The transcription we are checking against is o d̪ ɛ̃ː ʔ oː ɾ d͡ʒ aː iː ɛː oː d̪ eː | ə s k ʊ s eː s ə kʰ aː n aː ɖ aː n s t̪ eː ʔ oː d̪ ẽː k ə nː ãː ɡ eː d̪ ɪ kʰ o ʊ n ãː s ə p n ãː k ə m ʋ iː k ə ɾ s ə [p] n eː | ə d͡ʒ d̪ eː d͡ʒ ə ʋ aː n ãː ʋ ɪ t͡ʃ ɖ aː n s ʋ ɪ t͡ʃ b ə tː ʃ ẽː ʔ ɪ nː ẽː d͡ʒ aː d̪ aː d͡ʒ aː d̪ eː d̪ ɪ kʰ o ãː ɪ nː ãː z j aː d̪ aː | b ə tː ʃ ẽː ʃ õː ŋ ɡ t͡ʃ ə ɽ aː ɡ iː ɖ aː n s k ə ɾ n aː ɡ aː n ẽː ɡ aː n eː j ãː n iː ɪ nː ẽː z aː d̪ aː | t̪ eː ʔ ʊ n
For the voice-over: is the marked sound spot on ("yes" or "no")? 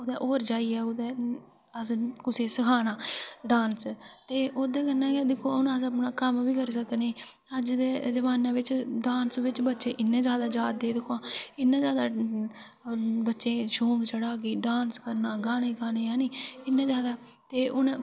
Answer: no